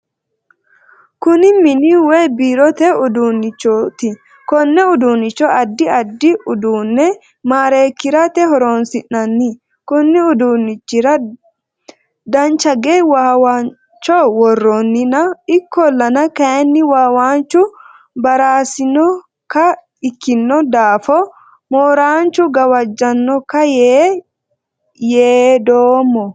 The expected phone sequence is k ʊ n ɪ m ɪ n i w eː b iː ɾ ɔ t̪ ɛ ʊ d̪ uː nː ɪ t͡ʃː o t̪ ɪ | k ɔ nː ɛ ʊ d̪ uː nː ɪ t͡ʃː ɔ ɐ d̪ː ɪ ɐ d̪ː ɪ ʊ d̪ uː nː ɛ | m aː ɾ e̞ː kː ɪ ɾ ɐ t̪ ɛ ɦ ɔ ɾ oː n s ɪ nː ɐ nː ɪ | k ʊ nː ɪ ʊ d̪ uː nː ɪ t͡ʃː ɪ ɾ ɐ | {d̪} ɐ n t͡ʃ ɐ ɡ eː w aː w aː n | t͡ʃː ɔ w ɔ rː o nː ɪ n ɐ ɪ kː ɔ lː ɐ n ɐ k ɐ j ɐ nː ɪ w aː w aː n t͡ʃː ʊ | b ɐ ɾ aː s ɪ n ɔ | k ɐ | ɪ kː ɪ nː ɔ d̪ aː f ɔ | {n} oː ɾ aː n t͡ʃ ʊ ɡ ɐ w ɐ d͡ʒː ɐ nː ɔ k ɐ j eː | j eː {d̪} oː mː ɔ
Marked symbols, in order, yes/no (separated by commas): yes, no, yes